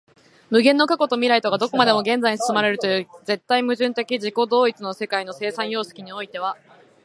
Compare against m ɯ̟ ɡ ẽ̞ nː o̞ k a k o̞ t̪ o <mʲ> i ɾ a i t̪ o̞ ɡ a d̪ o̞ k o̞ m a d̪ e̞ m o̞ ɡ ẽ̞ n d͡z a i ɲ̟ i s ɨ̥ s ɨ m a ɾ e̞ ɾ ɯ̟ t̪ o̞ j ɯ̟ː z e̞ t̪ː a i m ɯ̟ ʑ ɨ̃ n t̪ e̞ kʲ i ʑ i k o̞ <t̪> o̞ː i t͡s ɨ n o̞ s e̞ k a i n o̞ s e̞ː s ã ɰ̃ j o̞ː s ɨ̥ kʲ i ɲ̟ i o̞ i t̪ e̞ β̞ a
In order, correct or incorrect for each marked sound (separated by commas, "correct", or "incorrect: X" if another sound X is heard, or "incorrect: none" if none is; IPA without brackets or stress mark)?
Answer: correct, incorrect: d̪